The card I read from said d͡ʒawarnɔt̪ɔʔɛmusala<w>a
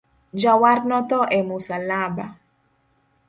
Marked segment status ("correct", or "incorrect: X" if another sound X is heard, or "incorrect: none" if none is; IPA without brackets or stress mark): incorrect: b